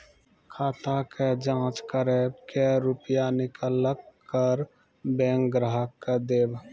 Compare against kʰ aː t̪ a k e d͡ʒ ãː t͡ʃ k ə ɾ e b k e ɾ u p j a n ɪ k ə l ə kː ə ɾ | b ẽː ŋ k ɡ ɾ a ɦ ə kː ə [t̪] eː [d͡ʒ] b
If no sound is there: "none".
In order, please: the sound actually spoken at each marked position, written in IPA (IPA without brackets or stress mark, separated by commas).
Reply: d̪, none